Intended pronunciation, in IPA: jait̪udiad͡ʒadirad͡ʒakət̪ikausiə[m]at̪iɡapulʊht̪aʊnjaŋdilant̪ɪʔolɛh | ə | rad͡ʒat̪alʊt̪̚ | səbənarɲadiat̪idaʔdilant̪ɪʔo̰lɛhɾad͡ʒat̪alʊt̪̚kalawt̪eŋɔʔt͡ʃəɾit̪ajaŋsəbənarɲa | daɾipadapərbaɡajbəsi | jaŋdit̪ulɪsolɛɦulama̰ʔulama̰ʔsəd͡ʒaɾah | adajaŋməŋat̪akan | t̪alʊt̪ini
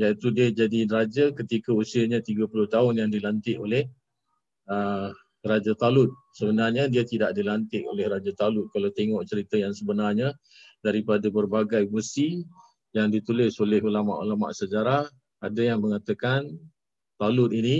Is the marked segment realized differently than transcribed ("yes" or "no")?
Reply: yes